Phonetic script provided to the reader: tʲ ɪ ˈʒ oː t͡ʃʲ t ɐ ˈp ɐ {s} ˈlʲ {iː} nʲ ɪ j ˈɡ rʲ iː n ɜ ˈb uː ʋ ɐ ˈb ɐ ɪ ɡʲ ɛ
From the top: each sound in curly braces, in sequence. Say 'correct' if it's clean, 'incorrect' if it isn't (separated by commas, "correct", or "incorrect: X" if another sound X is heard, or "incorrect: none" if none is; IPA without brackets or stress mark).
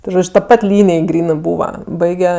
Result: incorrect: t, correct